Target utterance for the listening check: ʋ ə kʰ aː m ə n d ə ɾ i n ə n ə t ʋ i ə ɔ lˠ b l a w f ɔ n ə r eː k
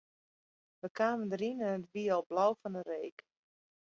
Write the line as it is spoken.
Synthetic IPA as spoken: ʋ ə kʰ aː m ə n d ə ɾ i n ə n ə t ʋ i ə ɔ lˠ b l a w f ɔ n ə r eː k

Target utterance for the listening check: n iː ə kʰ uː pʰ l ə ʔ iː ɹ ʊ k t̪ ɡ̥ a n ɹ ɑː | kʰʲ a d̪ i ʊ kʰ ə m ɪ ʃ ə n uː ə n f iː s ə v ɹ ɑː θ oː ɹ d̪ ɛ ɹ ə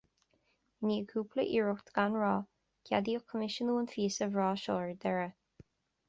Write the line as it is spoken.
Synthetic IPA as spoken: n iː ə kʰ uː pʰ l ə ʔ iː ɹ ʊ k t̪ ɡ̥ a n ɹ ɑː | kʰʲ a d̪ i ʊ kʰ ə m ɪ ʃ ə n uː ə n f iː s ə v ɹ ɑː ʃ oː ɹ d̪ ɛ ɹ ə

